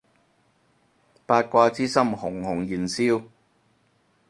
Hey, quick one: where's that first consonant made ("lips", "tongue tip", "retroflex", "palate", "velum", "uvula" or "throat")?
lips